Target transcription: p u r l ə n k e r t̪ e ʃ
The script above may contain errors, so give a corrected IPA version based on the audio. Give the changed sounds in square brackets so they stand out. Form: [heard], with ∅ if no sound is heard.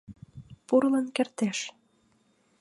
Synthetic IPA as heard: p u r l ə n k e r t̪ e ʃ